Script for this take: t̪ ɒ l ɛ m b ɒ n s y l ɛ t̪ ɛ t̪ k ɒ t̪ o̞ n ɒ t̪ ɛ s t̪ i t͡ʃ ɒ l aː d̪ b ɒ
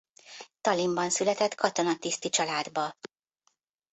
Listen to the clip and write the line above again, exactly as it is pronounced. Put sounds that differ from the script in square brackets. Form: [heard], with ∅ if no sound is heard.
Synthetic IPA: t̪ ɒ l [i] m b ɒ n s y l ɛ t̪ ɛ t̪ k ɒ t̪ o̞ n ɒ t̪ [i] s t̪ i t͡ʃ ɒ l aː d̪ b ɒ